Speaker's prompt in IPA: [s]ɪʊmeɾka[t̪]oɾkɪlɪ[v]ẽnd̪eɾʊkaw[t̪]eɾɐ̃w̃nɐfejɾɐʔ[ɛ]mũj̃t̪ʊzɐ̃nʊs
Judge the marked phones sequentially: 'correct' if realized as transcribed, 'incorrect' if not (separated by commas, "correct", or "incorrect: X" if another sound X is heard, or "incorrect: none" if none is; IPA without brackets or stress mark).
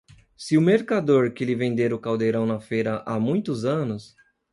correct, incorrect: d̪, correct, incorrect: d̪, incorrect: a